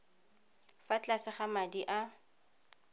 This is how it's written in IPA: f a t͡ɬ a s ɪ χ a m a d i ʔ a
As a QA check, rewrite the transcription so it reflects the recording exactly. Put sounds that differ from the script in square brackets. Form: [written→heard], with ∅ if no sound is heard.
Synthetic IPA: f a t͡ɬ a s ɪ χ a m a d i ʔ a